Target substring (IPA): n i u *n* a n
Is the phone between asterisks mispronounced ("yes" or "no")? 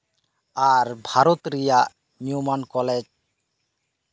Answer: yes